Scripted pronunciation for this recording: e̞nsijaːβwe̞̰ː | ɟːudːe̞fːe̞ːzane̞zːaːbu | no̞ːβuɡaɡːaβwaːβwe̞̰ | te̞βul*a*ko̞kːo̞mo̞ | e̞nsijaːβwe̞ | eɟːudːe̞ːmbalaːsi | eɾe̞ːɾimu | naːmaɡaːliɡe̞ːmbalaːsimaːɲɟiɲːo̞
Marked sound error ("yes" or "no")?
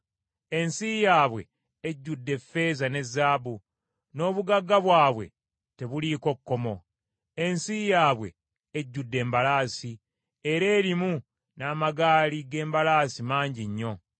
yes